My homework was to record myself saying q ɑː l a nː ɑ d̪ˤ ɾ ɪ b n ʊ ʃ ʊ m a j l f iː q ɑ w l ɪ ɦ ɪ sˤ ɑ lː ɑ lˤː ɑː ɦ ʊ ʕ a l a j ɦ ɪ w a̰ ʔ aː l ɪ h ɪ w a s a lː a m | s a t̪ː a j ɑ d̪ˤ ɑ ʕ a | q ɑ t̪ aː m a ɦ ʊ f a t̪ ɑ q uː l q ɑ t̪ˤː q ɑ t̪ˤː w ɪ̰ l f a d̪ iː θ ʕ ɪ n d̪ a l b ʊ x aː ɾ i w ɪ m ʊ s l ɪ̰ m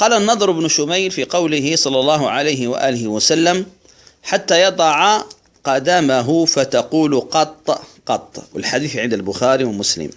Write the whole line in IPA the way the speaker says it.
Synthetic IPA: q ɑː l a nː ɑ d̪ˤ ɾ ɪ b n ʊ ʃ ʊ m a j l f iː q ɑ w l ɪ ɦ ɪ sˤ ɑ lː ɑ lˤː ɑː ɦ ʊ ʕ a l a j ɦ ɪ w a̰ ʔ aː l ɪ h ɪ w a s a lː a m | ħ a t̪ː a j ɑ d̪ˤ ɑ ʕ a | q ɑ d̪ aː m a ɦ ʊ f a t̪ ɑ q uː l q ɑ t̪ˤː q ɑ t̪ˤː w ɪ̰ l ħ a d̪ iː θ ʕ ɪ n d̪ a l b ʊ x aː ɾ i w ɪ m ʊ s l ɪ̰ m